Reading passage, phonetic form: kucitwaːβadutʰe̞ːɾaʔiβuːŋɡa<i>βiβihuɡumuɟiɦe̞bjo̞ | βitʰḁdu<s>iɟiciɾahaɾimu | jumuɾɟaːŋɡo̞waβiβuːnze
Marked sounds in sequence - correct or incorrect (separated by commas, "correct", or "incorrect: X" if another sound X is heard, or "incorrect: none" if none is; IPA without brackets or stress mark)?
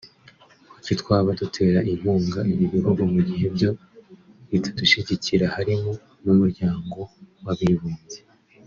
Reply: correct, incorrect: ʃ